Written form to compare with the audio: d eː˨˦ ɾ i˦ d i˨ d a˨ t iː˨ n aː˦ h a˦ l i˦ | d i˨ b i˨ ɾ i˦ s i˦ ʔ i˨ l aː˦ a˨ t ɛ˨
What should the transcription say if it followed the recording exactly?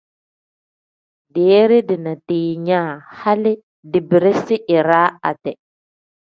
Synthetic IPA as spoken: d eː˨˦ ɾ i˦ d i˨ n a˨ t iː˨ ɲ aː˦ h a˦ l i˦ | d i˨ b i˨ ɾ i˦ s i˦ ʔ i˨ ɾ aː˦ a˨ t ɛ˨